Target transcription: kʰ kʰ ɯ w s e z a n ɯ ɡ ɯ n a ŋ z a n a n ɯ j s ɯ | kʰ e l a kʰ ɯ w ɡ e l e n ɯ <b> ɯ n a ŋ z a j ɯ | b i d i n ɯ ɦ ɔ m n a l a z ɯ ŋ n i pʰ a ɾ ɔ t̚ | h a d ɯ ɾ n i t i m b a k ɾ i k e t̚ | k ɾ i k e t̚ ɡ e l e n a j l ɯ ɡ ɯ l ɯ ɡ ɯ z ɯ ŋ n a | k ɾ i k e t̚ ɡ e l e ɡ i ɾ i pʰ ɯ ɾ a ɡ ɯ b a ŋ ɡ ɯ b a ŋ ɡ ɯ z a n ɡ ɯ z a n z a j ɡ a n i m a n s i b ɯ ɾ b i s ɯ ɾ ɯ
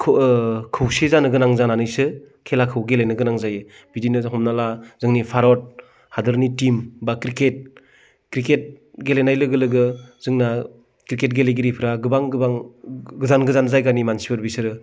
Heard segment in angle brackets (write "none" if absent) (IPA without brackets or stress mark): ɡ